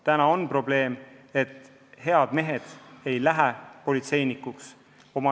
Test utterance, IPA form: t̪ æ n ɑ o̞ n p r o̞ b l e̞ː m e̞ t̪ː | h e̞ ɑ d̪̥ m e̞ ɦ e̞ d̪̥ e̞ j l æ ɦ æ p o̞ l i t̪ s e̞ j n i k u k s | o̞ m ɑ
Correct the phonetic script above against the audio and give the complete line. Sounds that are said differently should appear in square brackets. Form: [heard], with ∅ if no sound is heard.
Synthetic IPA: t̪ æ n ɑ o̞ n p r o̞ b l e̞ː m e̞ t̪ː | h e̞ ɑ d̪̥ m e̞ ɦ e̞ d̪̥ e̞ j l æ ɦ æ p o̞ l i t̪ s e̞ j n i k u k s | o̞ m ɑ